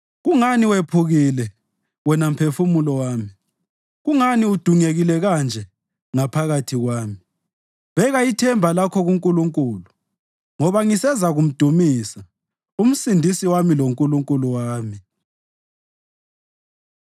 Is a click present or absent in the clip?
absent